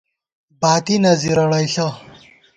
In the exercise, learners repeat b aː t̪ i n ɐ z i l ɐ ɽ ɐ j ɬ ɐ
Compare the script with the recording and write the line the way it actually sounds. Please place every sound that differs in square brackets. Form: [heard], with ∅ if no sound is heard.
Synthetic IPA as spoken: b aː t̪ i n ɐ z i [ɾ] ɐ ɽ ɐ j ɬ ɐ